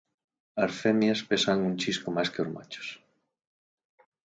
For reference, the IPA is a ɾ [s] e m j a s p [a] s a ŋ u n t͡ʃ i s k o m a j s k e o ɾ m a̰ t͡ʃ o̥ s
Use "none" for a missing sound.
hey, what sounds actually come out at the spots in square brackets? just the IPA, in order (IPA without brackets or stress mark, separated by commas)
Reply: f, e